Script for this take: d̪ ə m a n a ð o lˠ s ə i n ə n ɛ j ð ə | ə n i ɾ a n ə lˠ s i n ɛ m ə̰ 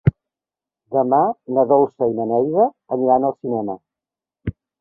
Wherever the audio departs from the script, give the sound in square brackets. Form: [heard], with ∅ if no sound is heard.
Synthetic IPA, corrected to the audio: d̪ ə m a n [ə] ð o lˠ s ə i n ə n ɛ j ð ə | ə n i ɾ a n ə lˠ s i n ɛ m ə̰